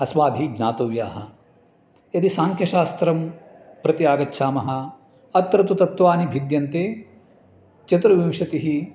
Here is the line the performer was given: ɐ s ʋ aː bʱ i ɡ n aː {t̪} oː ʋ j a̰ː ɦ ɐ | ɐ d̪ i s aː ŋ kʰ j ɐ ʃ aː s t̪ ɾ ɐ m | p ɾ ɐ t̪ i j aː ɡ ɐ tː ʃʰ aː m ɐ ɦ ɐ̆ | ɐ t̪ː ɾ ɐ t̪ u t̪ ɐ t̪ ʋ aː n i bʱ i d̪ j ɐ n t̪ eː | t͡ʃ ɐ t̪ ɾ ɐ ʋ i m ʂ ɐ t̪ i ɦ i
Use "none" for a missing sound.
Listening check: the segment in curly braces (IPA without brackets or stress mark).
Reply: t̪